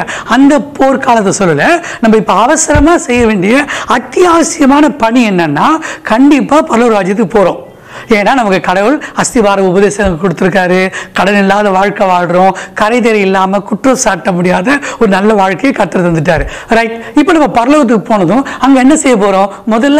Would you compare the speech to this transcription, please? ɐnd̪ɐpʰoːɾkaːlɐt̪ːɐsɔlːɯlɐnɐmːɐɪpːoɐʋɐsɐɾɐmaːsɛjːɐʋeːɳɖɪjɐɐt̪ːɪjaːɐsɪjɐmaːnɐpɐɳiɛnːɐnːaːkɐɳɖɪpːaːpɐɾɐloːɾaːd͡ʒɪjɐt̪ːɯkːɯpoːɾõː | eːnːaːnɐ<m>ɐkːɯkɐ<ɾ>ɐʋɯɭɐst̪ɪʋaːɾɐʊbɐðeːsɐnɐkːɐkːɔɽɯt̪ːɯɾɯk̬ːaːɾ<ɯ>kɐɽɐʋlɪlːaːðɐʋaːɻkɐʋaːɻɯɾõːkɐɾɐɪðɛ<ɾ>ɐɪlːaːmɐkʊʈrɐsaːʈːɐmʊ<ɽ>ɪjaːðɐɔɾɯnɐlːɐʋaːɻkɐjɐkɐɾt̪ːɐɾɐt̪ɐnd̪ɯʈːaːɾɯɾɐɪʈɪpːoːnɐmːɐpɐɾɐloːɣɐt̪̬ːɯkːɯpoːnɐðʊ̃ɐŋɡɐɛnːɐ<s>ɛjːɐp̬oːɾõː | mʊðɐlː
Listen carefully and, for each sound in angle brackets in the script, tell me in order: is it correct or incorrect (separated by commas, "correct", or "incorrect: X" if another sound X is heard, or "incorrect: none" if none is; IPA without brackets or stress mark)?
correct, incorrect: ɽ, correct, correct, correct, correct